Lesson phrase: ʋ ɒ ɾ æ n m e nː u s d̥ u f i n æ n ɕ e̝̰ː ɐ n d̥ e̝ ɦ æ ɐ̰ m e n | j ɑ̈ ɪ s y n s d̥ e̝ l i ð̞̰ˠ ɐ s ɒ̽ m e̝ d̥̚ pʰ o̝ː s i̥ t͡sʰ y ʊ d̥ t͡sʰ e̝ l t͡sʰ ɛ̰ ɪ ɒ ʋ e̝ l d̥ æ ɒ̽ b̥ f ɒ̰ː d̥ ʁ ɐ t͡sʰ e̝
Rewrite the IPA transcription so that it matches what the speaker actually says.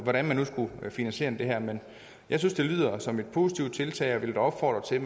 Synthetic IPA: ʋ ɒ ɾ æ n m æ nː u s ɡ̥ u f i n æ n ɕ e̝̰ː ɐ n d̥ e̝ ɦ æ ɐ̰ m e n | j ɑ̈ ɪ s y n s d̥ e̝ l y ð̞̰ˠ ɐ s ɒ̽ m e̝ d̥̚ pʰ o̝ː s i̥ t͡sʰ i ʊ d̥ t͡sʰ e̝ l t͡sʰ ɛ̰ ɪ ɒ ʋ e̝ l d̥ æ ɒ̽ b̥ f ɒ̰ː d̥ ʁ ɐ t͡sʰ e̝